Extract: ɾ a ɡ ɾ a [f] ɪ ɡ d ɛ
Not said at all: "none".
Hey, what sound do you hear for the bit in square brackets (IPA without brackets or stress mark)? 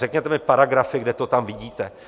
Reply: f